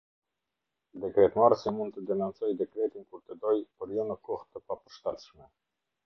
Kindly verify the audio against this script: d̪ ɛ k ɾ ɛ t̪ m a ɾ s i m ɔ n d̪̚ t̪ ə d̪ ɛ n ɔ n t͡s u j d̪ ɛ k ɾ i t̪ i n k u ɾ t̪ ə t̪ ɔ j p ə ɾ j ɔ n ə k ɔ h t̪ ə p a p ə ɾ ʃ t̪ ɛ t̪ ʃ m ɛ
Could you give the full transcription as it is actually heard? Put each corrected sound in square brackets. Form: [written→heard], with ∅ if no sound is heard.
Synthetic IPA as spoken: d̪ ɛ k ɾ ɛ t̪ m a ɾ s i m [ɔ→u] n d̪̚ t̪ ə d̪ ɛ n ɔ n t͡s [u→ɔ] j d̪ ɛ k ɾ [i→ɛ] t̪ i n k u ɾ t̪ ə [t̪→d̪] ɔ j p ə ɾ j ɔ n ə k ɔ h t̪ ə p a p ə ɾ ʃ t̪ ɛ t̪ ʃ m ɛ